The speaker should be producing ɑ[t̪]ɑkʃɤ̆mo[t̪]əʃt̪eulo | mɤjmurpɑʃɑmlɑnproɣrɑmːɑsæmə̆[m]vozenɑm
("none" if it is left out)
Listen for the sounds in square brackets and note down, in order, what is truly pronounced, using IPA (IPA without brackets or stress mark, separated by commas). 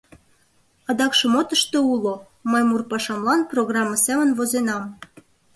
d̪, t̪, n